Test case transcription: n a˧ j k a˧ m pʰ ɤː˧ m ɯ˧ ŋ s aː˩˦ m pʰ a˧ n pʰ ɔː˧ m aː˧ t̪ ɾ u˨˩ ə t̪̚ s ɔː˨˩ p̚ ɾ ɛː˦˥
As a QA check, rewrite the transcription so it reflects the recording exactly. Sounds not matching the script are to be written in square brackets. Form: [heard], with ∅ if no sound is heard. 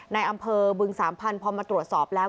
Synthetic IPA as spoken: n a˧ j [ʔ] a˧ m pʰ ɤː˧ [b] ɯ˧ ŋ s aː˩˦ m pʰ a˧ n pʰ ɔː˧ m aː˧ t̪ ɾ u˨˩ ə t̪̚ s ɔː˨˩ p̚ [l] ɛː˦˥